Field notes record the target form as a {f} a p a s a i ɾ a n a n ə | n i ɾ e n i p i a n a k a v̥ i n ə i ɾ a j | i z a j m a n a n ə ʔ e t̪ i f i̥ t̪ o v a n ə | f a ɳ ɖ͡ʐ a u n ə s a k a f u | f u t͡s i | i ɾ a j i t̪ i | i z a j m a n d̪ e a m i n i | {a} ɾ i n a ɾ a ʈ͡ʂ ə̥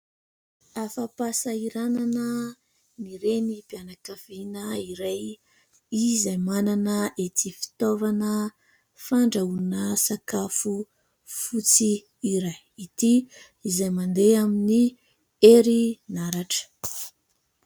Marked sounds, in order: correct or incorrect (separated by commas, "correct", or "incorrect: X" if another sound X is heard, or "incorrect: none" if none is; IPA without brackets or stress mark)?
correct, incorrect: e